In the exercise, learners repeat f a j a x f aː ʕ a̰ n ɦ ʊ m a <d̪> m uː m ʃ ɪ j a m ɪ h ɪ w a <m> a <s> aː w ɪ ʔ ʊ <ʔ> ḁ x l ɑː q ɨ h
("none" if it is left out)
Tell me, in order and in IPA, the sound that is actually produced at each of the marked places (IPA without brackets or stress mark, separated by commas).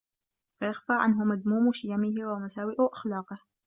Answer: d̪, m, s, ʔ